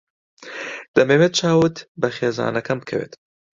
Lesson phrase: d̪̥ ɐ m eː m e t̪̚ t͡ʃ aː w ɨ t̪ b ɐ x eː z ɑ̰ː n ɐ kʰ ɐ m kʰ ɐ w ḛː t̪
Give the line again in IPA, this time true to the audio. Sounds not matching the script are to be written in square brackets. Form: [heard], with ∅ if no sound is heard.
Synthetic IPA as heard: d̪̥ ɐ m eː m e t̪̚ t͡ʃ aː w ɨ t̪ b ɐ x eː z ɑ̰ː n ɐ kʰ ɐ m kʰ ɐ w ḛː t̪